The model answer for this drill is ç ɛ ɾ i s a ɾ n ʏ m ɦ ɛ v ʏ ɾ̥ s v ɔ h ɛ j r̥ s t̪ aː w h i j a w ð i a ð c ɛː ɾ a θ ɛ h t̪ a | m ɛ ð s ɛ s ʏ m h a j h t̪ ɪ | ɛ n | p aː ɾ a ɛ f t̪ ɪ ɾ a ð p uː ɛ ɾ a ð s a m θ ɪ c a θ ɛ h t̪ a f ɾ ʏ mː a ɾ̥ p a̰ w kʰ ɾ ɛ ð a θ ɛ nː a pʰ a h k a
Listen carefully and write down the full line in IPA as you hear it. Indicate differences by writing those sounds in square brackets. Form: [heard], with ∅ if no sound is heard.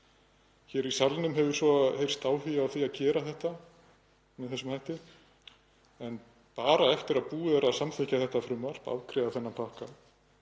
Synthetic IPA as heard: ç ɛ ɾ i s a [l] n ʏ m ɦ ɛ v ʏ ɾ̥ s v ɔ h [e] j r̥ s t̪ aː w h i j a w [θ] i a ð c ɛː ɾ a θ ɛ h t̪ a | m ɛ ð [θ] ɛ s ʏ m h a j h t̪ ɪ | ɛ n | p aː ɾ a ɛ f t̪ ɪ ɾ a ð p uː ɛ ɾ a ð s a m θ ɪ c a θ ɛ h t̪ a f ɾ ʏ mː a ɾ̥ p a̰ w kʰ ɾ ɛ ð a θ ɛ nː a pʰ a h k a